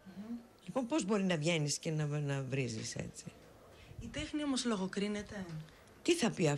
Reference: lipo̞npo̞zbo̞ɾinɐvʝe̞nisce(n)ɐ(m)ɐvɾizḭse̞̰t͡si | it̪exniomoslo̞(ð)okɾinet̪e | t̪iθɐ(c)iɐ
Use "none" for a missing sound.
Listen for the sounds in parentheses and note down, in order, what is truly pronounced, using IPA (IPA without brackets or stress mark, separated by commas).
n, n, ɣ, p